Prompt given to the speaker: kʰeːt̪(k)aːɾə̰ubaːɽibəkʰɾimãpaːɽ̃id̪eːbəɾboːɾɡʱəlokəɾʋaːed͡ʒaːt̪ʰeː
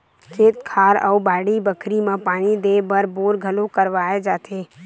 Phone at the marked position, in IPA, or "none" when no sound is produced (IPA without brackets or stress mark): kʰ